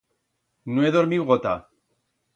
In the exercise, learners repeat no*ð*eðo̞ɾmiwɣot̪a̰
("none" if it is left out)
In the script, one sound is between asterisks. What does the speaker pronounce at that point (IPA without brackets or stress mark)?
none